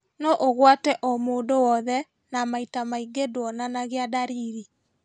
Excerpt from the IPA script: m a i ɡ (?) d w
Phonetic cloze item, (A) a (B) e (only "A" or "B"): B